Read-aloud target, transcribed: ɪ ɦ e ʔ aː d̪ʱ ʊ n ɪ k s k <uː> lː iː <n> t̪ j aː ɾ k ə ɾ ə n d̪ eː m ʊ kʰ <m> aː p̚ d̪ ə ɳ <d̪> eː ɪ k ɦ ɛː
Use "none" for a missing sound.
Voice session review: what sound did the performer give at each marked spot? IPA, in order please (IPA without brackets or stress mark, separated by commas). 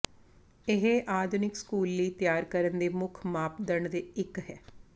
uː, none, m, d̪